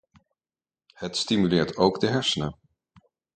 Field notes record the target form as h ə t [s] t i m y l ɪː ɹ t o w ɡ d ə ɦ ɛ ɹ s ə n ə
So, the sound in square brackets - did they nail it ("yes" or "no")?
yes